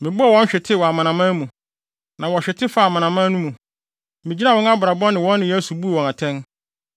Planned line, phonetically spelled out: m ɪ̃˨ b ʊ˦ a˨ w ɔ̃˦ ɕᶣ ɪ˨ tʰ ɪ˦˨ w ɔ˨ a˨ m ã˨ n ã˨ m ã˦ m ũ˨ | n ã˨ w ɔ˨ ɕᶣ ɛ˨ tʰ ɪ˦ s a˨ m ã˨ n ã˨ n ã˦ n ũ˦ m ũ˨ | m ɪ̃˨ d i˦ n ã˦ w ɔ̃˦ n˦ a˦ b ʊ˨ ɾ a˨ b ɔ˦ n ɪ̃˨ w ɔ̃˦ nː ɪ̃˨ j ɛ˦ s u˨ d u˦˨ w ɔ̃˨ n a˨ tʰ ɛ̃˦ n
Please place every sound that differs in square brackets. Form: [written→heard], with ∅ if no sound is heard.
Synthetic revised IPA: m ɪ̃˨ b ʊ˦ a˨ w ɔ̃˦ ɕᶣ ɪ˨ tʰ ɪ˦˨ w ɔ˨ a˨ m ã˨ n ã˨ m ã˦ m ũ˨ | n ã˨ w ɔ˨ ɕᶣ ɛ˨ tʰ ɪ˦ [s→f] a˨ m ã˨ n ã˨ [n→m] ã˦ n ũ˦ m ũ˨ | m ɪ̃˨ [d→d͡ʑ] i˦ n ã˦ w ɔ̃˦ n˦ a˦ b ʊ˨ ɾ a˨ b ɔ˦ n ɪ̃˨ w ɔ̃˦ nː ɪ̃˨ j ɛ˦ s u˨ [d→b] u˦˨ w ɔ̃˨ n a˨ tʰ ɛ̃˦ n